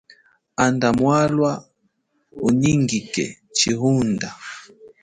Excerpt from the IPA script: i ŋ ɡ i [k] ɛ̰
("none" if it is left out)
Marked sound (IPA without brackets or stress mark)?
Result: k